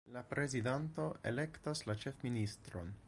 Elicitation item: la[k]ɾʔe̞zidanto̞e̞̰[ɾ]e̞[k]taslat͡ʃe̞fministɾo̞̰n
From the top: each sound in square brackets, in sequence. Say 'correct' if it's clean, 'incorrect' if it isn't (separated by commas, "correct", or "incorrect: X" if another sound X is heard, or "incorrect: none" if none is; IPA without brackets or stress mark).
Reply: incorrect: p, incorrect: l, correct